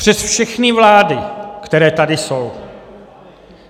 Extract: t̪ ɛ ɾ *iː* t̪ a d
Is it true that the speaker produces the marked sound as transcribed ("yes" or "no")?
no